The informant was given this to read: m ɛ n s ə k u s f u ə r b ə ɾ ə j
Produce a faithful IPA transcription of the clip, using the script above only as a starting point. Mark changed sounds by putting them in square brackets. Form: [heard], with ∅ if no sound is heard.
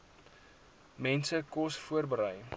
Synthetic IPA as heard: m ɛ n s ə k [ɔ] s f u ə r b ə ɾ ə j